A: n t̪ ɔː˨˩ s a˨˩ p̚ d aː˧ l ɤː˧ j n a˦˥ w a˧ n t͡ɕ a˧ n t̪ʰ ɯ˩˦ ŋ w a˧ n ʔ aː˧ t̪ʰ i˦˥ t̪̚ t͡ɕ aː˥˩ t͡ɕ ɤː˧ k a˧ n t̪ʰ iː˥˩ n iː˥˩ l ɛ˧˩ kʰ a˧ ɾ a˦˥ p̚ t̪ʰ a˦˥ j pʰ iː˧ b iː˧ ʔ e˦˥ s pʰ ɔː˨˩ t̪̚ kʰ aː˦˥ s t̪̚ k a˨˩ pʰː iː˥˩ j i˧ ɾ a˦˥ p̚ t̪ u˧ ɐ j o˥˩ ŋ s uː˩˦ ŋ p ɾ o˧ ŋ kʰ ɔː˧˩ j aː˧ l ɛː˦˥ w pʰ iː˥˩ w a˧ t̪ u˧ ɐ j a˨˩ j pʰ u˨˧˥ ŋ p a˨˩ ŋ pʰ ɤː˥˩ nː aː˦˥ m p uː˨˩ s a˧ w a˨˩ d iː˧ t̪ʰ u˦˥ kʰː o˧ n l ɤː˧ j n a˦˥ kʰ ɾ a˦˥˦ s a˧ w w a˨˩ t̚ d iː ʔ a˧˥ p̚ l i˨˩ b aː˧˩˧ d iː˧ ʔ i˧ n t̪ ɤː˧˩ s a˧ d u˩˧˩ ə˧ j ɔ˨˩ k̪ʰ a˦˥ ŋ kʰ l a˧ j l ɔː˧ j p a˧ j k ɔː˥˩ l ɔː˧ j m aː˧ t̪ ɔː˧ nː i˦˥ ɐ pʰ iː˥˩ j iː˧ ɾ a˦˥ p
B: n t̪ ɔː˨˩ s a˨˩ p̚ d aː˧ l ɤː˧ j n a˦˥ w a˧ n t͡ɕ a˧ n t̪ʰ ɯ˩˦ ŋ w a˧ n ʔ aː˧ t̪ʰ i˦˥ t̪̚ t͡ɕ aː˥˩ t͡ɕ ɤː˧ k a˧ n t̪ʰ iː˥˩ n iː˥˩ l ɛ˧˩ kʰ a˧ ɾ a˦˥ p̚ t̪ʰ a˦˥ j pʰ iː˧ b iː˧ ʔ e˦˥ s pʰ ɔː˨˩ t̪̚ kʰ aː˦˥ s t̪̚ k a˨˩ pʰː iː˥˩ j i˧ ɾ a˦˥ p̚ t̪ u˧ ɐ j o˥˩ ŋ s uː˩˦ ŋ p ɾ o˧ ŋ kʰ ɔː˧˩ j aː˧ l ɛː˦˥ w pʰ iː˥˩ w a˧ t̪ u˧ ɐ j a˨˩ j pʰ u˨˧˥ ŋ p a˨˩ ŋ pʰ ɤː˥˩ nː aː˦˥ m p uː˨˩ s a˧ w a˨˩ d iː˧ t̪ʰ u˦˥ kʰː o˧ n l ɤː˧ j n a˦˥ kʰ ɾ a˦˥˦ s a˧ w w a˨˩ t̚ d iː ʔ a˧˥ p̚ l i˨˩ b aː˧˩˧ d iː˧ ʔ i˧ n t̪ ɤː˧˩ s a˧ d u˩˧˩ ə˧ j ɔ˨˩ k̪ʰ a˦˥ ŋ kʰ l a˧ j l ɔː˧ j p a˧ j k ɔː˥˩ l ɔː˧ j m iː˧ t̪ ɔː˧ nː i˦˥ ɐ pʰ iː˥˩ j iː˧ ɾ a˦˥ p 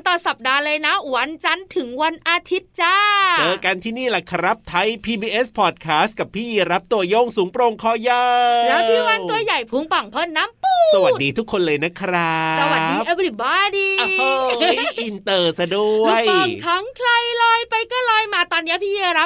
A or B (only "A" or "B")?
A